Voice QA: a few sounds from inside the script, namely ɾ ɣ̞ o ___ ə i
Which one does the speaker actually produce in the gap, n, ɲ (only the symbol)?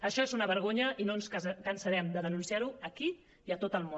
ɲ